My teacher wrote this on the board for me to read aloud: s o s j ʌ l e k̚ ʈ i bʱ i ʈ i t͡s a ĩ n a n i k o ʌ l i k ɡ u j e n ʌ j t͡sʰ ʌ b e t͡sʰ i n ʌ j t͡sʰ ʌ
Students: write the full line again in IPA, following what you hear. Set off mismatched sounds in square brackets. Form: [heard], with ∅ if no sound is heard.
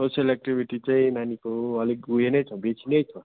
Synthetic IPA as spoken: s o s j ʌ l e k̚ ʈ i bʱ i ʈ i t͡s a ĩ n a n i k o ʌ l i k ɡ u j e n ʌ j t͡sʰ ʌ b e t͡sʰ i n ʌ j t͡sʰ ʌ